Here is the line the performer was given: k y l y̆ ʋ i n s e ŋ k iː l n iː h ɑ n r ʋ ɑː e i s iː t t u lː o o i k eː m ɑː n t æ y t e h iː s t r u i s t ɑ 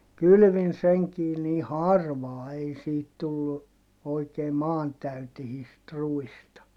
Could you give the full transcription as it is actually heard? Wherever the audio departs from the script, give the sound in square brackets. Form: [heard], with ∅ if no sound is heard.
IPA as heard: k y l y̆ ʋ i n s e ŋ k iː [∅] n iː h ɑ [∅] r ʋ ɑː e i s iː t t u lː [u] o i k eː m ɑː n t æ y t e h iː s t r u i s t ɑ